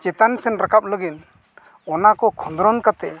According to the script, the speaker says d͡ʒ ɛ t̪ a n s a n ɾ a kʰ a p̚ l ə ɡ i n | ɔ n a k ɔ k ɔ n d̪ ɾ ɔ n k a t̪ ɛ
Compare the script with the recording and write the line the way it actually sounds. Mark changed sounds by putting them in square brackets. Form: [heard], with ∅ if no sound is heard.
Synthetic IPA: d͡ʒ ɛ t̪ a n s [ɛ] n ɾ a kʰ a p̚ l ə ɡ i n | ɔ n a k ɔ [kʰ] ɔ n d̪ ɾ ɔ n k a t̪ ɛ